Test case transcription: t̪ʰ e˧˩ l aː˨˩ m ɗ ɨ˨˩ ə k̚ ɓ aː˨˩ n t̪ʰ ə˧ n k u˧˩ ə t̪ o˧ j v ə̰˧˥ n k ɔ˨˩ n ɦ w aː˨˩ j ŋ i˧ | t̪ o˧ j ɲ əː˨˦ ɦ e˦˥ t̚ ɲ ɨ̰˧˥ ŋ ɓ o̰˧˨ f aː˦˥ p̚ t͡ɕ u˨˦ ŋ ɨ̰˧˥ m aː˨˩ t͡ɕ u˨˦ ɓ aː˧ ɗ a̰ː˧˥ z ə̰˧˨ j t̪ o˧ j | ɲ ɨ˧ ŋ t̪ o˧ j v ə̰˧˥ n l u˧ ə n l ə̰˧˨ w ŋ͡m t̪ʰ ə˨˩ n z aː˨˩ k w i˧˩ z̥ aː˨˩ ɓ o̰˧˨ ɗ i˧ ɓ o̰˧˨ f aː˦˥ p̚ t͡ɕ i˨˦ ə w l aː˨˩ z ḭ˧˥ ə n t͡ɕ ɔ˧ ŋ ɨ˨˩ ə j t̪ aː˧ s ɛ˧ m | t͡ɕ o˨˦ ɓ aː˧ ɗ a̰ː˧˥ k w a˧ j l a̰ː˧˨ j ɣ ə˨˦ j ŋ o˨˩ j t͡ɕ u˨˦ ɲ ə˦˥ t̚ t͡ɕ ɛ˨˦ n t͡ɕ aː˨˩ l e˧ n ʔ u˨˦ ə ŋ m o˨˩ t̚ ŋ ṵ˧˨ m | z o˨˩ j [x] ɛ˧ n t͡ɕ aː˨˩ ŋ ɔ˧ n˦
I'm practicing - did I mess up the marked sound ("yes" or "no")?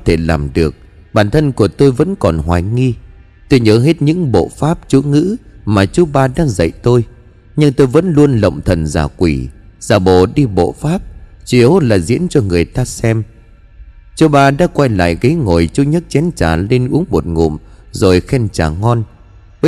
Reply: no